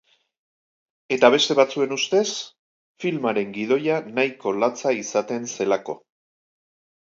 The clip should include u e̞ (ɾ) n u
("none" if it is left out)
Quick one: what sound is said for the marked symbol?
none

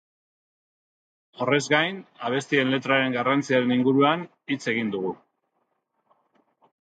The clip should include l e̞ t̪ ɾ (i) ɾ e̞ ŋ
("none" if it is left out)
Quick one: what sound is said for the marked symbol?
a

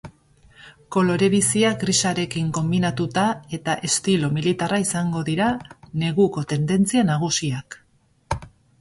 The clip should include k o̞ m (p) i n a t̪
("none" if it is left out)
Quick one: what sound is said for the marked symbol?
b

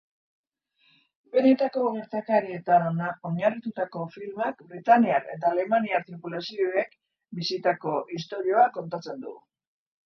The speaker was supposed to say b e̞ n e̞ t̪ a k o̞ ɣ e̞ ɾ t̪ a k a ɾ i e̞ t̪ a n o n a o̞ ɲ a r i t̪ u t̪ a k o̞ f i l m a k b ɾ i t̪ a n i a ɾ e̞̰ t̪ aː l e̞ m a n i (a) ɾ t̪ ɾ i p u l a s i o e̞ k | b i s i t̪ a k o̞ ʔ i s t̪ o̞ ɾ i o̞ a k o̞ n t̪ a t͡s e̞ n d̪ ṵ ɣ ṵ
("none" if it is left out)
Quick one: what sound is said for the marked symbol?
a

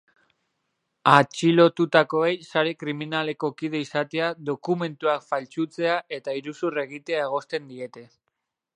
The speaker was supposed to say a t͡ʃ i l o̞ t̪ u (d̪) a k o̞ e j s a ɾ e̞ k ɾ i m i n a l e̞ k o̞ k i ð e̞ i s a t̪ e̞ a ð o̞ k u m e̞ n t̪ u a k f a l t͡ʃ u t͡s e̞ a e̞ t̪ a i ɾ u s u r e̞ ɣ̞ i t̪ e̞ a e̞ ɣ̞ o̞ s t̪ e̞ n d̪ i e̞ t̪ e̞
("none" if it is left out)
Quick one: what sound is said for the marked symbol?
t̪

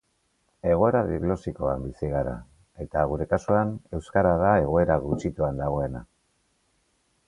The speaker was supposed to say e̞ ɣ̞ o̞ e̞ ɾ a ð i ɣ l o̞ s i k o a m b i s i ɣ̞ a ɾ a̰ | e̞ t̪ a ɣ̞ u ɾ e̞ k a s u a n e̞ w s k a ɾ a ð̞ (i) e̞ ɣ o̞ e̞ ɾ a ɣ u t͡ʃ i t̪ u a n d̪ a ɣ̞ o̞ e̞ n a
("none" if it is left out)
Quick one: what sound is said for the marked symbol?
a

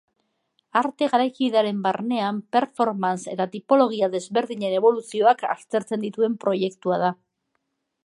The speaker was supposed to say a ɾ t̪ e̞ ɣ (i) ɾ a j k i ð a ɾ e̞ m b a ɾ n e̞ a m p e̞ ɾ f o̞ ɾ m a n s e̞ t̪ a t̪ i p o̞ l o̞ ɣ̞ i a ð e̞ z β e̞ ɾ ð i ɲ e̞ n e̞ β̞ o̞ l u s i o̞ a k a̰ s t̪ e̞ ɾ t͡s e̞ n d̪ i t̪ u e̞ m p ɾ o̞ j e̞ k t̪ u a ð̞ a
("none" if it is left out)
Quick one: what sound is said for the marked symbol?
a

